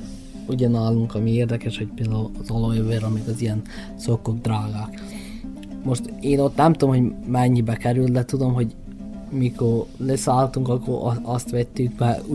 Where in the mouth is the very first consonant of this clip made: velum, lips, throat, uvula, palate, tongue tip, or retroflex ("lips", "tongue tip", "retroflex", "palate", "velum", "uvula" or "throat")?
palate